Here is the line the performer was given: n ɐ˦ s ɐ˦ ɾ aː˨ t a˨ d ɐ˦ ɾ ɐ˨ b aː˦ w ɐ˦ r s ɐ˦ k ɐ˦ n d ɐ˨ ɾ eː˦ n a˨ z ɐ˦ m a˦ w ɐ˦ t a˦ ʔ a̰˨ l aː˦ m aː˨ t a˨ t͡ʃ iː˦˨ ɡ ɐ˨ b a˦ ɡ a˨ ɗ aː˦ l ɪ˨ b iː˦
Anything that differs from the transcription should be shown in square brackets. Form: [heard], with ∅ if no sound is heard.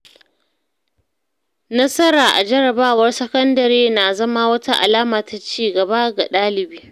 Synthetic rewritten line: n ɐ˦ s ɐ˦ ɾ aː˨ [ʔ] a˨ [d͡ʒ] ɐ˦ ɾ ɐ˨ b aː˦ w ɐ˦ r s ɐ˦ k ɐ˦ n d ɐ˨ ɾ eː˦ n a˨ z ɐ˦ m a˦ w ɐ˦ t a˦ ʔ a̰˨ l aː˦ m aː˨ t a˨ t͡ʃ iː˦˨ ɡ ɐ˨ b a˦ ɡ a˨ ɗ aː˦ l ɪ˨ b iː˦